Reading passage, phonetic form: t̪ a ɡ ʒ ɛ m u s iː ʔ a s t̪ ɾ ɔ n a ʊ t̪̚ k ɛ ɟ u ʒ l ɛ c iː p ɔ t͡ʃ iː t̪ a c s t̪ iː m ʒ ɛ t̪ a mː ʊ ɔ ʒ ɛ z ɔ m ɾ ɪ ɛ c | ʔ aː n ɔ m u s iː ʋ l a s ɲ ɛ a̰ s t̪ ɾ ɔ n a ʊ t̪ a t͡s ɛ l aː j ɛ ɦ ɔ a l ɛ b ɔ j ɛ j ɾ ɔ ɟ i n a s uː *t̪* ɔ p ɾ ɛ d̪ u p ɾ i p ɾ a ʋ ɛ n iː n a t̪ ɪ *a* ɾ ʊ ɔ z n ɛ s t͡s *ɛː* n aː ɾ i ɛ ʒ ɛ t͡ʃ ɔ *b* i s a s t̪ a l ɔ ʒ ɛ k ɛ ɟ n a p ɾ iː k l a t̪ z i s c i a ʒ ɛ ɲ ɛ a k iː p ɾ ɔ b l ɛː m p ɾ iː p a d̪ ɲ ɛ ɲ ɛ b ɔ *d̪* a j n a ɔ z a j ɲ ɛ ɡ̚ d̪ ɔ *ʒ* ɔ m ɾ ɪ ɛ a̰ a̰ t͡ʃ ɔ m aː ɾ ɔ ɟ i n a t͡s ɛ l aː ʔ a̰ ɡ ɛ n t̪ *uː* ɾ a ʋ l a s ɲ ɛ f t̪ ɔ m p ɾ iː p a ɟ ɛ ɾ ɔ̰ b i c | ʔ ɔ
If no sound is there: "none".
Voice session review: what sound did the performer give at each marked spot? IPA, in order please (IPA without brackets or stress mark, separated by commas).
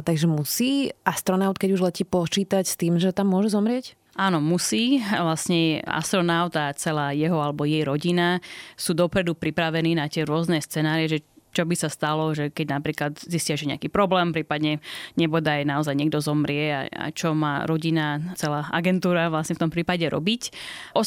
d̪, ɛ, ɛ, b, d̪, z, uː